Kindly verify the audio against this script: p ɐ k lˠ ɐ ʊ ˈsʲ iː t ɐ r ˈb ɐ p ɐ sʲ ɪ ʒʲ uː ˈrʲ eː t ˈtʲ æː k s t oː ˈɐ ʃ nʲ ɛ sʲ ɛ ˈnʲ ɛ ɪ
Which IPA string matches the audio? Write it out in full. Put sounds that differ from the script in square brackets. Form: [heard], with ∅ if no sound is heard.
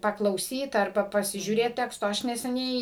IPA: p ɐ k lˠ ɐ ʊ ˈsʲ iː t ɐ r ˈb ɐ p ɐ sʲ ɪ ʒʲ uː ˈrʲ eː t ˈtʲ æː k s t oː ˈɐ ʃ nʲ ɛ sʲ ɛ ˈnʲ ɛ ɪ